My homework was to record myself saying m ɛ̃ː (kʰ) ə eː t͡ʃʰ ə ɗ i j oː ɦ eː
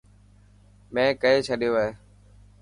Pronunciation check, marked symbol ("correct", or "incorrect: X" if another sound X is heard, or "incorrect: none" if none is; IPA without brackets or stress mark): incorrect: k